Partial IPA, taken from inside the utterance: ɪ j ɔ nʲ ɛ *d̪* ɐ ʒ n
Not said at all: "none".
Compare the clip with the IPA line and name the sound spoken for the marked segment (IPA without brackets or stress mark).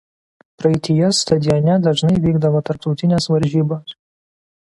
d̪